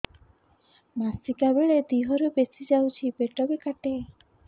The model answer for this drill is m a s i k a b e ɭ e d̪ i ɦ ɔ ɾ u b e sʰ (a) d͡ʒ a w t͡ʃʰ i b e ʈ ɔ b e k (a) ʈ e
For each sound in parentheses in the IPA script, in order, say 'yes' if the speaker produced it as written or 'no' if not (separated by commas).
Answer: no, yes